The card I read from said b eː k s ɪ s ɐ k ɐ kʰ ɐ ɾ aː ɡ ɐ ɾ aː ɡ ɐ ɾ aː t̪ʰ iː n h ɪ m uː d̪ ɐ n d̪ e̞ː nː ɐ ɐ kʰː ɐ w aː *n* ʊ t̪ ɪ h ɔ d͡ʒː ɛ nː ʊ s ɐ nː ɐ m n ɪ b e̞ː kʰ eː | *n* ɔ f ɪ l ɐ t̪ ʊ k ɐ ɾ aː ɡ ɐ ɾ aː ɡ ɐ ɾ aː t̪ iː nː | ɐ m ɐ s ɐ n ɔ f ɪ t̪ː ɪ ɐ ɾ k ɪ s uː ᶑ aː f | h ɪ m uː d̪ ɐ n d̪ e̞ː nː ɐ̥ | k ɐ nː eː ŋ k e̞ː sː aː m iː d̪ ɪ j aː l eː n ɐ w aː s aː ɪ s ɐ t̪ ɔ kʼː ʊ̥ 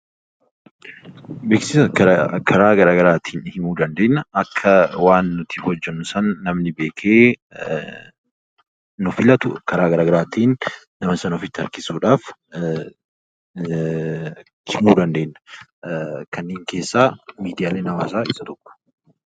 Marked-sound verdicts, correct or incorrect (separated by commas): incorrect, correct